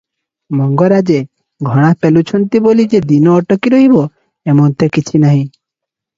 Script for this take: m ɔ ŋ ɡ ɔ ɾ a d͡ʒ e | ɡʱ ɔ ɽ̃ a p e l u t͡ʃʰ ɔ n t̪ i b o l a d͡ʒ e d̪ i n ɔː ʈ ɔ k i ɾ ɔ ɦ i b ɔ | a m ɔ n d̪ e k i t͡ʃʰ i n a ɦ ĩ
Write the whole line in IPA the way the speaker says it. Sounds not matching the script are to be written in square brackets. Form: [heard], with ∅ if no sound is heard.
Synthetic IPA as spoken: m ɔ ŋ ɡ ɔ ɾ a d͡ʒ e | ɡʱ ɔ ɽ̃ a p e l u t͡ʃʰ ɔ n t̪ i b o l [i] d͡ʒ e d̪ i n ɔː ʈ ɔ k i ɾ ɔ ɦ i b ɔ | [e] m ɔ n [t̪] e k i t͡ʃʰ i n a ɦ ĩ